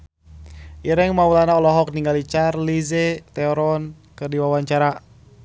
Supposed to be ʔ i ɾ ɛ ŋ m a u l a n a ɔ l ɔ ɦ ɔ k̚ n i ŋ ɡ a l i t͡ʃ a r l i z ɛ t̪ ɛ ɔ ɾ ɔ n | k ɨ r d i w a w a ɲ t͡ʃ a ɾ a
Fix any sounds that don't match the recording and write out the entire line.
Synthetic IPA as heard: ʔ i ɾ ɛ ŋ m a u l a n a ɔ l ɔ ɦ ɔ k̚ n i ŋ ɡ a l i t͡ʃ a r l i z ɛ t̪ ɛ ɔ ɾ ɔ n | k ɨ r d i w a w a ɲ t͡ʃ a ɾ a